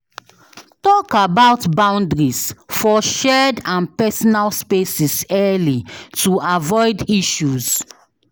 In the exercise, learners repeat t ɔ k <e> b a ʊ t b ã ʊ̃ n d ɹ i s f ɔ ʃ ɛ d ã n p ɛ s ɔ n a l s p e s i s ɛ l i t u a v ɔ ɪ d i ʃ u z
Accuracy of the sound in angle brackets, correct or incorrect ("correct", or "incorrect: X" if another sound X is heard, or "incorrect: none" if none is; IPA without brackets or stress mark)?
incorrect: a